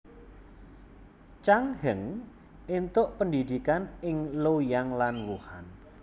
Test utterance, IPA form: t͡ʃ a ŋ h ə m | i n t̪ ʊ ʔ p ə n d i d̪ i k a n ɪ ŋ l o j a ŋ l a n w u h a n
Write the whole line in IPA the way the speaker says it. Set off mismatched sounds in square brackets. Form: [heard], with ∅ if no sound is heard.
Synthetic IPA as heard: t͡ʃ a ŋ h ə [ŋ] | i n t̪ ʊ ʔ p ə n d i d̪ i k a n ɪ ŋ l o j a ŋ l a n w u h a n